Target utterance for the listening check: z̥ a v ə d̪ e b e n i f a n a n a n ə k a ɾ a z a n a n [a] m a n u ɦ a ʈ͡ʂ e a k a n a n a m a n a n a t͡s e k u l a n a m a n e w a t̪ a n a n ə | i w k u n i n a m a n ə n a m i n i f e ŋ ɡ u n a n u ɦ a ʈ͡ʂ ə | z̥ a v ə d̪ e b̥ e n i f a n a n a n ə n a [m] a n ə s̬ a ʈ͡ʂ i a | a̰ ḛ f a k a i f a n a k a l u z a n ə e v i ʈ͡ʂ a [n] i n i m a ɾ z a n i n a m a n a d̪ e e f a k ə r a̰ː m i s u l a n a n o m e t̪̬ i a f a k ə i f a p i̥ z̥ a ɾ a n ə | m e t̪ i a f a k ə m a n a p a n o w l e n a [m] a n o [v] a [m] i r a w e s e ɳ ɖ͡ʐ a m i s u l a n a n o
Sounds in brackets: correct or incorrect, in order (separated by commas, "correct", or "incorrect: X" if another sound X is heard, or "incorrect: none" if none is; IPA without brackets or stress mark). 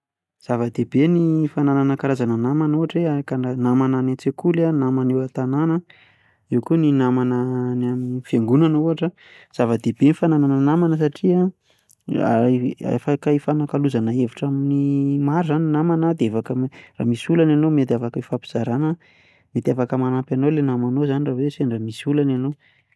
correct, correct, incorrect: m, correct, incorrect: z, incorrect: n